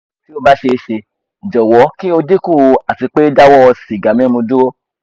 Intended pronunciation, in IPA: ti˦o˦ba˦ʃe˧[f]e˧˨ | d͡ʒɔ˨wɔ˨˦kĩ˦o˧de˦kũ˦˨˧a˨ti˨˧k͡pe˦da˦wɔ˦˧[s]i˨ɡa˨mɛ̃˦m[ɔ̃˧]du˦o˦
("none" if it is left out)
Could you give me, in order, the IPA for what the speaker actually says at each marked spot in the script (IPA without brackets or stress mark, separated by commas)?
ʃ, s, ũ˧